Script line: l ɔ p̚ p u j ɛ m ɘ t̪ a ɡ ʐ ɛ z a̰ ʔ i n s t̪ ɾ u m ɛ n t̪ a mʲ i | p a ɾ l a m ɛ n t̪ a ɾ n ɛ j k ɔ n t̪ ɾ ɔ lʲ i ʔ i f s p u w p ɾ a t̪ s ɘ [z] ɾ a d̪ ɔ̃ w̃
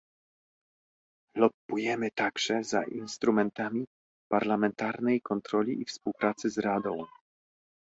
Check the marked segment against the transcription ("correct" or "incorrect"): correct